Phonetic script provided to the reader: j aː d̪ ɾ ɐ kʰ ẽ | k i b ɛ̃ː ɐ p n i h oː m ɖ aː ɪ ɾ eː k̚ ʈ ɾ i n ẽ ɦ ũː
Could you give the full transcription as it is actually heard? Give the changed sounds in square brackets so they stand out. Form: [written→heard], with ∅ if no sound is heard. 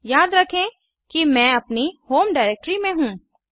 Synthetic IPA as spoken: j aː d̪ ɾ ɐ kʰ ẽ | k i [b→m] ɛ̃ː ɐ p n i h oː m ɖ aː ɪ ɾ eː k̚ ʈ ɾ i [n→m] ẽ ɦ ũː